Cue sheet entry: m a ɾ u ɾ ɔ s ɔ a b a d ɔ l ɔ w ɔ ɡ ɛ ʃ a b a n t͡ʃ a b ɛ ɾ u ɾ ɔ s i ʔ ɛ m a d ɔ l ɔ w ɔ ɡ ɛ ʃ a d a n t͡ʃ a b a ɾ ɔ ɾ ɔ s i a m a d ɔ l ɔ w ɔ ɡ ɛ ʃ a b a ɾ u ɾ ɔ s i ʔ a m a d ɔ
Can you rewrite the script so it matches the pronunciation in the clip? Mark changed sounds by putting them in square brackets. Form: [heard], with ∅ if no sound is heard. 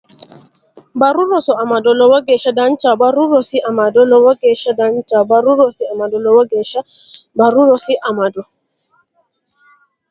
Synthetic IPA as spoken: [b] a ɾ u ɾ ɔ s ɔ a [m] a d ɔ l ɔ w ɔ ɡ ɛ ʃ a [d] a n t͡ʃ a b [a] ɾ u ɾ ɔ s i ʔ [a] m a d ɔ l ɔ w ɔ ɡ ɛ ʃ a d a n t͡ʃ a b a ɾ [u] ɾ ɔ s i a m a d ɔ l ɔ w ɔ ɡ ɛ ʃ a b a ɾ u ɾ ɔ s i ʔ a m a d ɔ